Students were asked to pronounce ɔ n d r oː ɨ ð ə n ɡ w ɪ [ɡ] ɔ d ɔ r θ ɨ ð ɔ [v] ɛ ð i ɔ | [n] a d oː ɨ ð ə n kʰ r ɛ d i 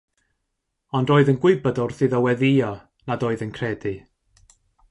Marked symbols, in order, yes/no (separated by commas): no, no, yes